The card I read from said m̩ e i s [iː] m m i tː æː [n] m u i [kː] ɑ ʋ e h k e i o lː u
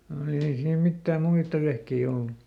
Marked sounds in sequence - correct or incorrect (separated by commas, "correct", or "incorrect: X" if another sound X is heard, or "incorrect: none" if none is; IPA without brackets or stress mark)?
correct, incorrect: m, incorrect: tː